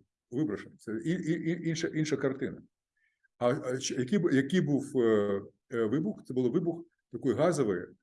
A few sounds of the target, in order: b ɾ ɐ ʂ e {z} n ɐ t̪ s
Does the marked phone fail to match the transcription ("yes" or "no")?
yes